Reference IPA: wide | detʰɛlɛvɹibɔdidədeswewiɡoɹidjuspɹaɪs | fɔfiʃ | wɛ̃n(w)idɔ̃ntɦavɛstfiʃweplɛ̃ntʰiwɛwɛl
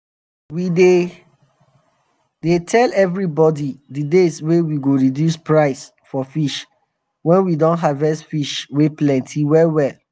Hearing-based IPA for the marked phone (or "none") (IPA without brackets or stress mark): w